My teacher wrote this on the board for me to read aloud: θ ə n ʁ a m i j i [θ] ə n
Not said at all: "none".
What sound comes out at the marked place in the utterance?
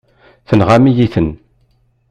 θ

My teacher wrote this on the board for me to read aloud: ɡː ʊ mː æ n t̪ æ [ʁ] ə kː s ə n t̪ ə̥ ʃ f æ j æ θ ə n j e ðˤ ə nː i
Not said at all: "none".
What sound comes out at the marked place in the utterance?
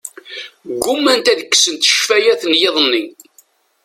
ð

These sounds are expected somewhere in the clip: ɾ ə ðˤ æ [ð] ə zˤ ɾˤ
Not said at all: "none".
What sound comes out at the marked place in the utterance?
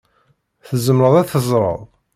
θ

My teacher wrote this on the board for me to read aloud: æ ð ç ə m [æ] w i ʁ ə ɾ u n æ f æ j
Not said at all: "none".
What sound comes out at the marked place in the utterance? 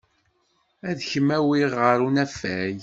æ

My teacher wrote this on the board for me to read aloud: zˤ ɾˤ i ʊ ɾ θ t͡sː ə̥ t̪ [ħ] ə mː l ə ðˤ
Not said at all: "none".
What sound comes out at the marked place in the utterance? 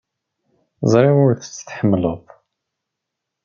ħ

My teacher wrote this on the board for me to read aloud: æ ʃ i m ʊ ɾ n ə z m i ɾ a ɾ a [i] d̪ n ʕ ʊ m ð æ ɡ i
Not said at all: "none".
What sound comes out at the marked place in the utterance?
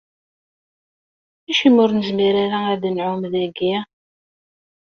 æ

